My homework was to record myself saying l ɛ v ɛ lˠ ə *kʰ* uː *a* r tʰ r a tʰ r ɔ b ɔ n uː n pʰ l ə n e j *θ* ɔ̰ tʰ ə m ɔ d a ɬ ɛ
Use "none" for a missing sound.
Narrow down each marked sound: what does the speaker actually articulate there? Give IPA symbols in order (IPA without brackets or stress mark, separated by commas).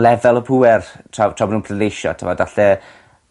pʰ, ɛ, ʃ